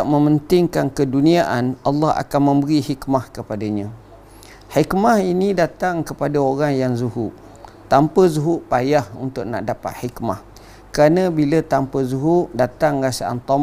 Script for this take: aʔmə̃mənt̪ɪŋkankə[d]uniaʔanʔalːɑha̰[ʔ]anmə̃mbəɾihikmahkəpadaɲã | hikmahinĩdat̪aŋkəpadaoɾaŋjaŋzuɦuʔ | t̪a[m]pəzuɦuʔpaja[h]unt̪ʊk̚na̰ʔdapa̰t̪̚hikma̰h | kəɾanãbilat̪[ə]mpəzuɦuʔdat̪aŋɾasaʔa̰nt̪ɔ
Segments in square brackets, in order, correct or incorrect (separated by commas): correct, incorrect, correct, correct, incorrect